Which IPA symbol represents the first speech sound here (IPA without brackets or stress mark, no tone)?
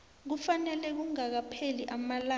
k̬